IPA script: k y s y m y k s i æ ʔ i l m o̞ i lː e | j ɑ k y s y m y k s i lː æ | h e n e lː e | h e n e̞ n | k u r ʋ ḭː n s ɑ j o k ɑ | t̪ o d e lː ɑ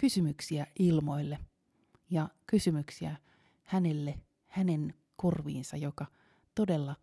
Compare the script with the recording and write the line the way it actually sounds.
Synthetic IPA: k y s y m y k s i æ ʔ i l m o̞ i lː e | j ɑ k y s y m y k s i æ | h æ n e lː e | h æ n e̞ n | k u r ʋ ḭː n s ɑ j o k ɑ | t̪ o d e lː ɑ